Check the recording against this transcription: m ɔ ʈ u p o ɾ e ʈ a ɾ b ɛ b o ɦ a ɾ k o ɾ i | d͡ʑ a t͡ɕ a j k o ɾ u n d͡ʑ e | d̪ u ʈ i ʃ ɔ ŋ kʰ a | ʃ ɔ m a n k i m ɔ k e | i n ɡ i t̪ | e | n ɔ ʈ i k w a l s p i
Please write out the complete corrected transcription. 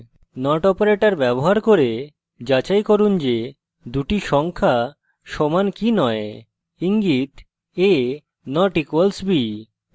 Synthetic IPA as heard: n ɔ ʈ ɔ p o ɾ e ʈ a ɾ b ɛ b o ɦ a ɾ k o ɾ e | d͡ʑ a t͡ɕ a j k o ɾ u n d͡ʑ e | d̪ u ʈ i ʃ ɔ ŋ kʰ a | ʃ ɔ m a n k i n ɔ e | i ŋ ɡ i t̪ | e | n ɔ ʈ i k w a l s b i